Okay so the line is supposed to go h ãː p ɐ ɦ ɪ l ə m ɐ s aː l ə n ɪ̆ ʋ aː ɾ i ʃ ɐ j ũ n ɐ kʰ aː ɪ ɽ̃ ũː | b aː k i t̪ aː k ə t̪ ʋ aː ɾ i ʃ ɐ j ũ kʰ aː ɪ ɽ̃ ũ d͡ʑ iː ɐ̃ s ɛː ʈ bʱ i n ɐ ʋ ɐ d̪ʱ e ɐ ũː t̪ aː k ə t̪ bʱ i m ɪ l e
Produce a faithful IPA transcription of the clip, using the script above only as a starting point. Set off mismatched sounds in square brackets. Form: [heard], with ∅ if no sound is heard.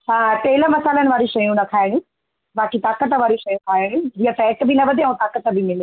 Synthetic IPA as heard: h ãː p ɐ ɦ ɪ l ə m ɐ s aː l ə n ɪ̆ ʋ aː ɾ i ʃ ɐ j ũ n ɐ kʰ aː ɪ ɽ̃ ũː | b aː k i t̪ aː k ə t̪ ʋ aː ɾ i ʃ ɐ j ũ kʰ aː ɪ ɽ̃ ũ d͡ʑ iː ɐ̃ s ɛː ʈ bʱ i n ɐ ʋ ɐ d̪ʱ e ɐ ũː t̪ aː k ə t̪ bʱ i m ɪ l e

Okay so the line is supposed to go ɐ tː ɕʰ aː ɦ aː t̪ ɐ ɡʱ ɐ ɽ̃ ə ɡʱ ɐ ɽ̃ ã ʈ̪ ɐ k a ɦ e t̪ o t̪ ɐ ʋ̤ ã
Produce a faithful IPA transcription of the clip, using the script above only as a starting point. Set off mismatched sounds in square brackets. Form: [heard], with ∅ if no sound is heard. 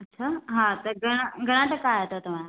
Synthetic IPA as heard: ɐ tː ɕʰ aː ɦ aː t̪ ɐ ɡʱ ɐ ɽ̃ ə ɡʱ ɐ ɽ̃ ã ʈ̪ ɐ k a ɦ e t̪ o t̪ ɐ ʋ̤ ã

